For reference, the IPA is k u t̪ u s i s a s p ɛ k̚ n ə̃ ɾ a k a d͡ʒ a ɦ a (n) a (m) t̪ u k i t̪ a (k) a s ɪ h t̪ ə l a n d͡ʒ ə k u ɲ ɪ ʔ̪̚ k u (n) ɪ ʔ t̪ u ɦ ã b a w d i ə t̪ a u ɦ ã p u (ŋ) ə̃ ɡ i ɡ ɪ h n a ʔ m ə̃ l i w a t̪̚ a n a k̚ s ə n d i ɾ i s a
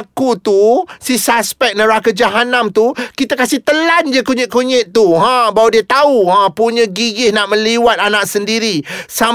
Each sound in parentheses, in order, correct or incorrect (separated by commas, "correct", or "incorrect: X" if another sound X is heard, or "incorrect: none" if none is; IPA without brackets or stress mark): correct, correct, correct, incorrect: ɲ, incorrect: ɲ